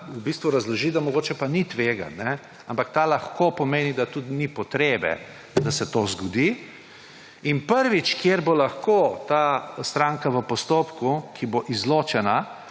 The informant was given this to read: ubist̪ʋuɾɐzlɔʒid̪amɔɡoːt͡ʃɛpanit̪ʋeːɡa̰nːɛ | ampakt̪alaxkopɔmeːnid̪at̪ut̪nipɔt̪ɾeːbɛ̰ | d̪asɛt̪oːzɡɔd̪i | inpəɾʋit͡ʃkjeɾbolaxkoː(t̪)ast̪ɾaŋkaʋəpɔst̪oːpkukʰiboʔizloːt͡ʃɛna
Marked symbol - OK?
yes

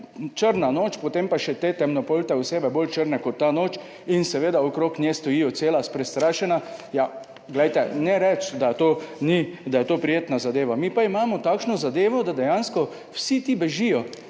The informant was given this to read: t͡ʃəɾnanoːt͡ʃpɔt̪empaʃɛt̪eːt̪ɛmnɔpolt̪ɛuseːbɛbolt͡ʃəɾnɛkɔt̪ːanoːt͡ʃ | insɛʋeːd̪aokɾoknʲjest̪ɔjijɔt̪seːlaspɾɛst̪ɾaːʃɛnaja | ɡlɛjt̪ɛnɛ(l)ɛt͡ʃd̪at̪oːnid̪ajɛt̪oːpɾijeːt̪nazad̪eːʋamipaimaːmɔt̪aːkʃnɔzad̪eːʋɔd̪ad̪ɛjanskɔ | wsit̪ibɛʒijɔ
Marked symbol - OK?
no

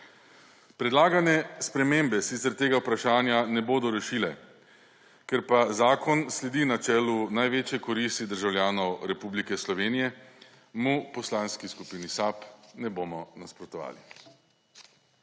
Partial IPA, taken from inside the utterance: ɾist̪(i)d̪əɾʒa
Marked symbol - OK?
yes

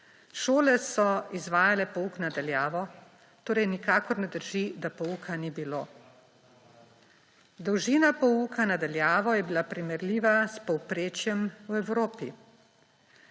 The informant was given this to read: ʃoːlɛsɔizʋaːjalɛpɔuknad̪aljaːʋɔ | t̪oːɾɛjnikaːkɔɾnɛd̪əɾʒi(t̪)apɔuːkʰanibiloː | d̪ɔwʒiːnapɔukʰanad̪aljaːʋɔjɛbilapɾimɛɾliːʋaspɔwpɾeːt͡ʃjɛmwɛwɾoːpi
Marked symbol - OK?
no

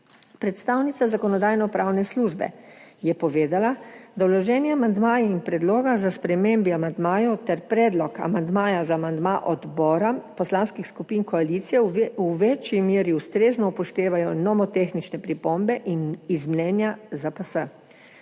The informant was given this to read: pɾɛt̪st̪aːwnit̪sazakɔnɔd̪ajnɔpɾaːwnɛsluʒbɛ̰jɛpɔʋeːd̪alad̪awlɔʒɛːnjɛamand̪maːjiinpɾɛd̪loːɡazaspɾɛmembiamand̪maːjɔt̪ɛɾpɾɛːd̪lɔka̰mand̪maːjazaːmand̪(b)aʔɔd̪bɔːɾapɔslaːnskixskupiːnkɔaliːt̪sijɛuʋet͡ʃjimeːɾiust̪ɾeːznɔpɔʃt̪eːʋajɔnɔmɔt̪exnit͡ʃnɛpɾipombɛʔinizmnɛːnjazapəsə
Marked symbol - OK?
no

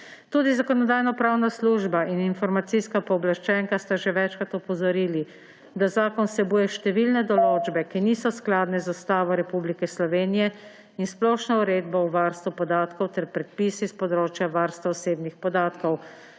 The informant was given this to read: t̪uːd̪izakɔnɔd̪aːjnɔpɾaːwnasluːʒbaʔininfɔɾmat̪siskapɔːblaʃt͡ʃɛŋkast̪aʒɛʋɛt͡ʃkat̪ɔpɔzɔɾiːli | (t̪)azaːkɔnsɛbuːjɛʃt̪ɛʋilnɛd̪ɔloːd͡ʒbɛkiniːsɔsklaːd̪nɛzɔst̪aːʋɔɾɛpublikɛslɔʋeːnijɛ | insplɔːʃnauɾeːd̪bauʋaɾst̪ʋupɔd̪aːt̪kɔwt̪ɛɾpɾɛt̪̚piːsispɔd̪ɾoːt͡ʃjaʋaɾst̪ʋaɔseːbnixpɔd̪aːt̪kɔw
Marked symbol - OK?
no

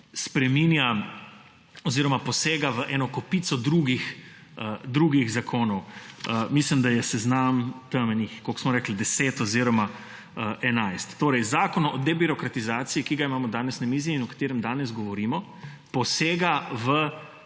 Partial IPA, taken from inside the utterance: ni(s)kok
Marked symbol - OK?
no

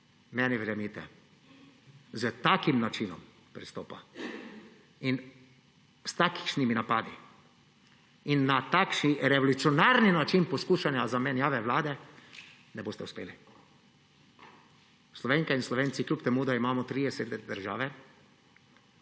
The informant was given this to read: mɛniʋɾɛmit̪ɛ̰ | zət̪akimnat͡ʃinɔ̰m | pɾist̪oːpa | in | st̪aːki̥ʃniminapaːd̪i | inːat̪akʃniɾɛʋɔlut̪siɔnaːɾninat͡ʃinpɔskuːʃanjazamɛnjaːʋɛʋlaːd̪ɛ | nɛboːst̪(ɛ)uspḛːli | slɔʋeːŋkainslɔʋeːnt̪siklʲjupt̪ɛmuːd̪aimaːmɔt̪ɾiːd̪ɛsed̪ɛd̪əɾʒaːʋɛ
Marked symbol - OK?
yes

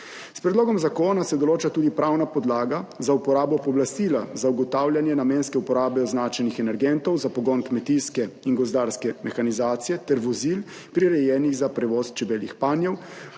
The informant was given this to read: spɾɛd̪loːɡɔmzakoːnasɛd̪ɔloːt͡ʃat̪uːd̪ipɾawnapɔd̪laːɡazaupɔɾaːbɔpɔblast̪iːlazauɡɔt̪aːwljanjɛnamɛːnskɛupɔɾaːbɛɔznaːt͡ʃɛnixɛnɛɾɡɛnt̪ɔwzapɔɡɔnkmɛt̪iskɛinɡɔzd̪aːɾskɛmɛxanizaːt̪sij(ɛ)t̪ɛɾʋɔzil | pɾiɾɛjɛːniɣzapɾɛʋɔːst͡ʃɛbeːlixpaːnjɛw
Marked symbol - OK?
yes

